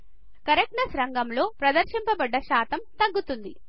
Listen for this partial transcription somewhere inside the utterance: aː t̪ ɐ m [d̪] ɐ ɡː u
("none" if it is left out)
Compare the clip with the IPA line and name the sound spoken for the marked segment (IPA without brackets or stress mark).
t̪